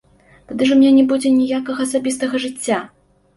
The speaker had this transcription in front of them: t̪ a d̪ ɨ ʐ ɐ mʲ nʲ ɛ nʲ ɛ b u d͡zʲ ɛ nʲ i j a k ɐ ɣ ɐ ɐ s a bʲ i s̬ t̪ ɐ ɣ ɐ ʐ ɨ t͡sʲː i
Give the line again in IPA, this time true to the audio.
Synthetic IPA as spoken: t̪ a d̪ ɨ ʐ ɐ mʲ nʲ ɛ nʲ ɛ b u d͡zʲ ɛ nʲ i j a k ɐ ɣ ɐ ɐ s a bʲ i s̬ t̪ ɐ ɣ ɐ ʐ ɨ t͡sʲː a